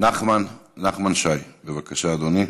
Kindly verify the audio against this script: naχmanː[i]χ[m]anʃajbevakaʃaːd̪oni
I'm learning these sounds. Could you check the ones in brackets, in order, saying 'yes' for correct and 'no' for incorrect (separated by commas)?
no, yes